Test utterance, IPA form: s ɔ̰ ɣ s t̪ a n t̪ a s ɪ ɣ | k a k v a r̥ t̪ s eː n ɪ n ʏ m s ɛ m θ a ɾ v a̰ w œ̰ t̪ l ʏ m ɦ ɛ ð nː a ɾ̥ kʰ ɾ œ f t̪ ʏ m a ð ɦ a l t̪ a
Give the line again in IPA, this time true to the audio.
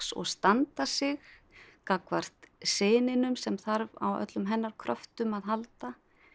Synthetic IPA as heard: s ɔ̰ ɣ s t̪ a n t̪ a s ɪ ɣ | k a k v a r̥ t̪ s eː n ɪ n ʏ m s ɛ m θ a ɾ v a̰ w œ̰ t̪ l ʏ m ɦ ɛ nː a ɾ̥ kʰ ɾ œ f t̪ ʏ m a ð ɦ a l t̪ a